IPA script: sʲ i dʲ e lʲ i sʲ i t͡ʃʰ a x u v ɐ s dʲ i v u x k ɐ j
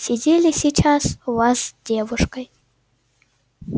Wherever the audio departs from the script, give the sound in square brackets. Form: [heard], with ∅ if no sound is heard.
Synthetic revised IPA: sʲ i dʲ e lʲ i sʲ i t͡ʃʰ a [s] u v [a] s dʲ [e] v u [ʂ] k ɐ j